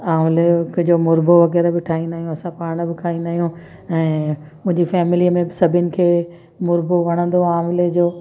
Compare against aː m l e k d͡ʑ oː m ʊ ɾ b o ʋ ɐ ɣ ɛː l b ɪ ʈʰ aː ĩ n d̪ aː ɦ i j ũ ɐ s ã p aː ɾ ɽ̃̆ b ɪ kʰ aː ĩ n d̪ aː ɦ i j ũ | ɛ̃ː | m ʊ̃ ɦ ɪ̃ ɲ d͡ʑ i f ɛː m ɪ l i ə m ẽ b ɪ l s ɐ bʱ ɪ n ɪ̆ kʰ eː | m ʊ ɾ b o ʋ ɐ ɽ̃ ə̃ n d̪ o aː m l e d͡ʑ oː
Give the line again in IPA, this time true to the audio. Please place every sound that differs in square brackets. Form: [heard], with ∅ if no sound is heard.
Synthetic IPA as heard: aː m l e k d͡ʑ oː m ʊ ɾ b o ʋ ɐ ɣ ɛː [ɾ] b ɪ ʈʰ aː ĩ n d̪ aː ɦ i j ũ ɐ s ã p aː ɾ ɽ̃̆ b ɪ kʰ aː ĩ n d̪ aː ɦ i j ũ | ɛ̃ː | m ʊ̃ ɦ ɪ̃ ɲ d͡ʑ i f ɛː m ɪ l i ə m ẽ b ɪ [∅] s ɐ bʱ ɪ n ɪ̆ kʰ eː | m ʊ ɾ b o ʋ ɐ ɽ̃ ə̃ n d̪ o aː m l e d͡ʑ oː